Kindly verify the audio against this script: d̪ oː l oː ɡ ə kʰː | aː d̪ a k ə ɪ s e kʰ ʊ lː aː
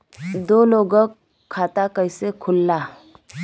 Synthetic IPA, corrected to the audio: d̪ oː l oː ɡ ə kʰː | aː t̪ a k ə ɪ s e kʰ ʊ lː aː